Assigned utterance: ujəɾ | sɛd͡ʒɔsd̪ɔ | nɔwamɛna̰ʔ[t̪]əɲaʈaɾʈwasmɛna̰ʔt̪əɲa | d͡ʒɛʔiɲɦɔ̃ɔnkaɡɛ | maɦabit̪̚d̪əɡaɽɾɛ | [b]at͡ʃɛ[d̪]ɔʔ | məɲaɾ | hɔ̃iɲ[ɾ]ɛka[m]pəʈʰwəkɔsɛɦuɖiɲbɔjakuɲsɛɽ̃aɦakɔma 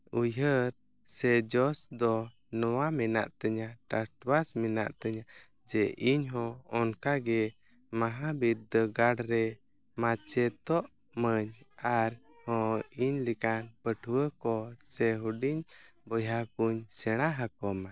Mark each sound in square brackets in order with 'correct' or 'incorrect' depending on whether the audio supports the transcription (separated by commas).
correct, incorrect, incorrect, incorrect, incorrect